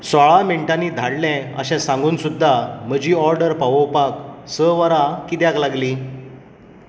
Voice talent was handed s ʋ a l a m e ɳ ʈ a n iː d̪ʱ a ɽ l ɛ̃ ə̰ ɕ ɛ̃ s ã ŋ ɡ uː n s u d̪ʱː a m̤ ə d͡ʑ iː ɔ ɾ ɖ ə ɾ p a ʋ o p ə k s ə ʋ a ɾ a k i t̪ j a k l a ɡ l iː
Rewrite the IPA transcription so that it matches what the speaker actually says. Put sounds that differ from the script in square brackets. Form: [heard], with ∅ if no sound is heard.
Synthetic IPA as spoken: s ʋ a [ɭ] a m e ɳ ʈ a n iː d̪ʱ a ɽ l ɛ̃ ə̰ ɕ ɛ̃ s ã ŋ ɡ uː n s u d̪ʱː a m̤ ə d͡ʑ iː ɔ ɾ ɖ ə ɾ p a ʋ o p [a] k s ə ʋ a ɾ a k i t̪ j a k l a ɡ l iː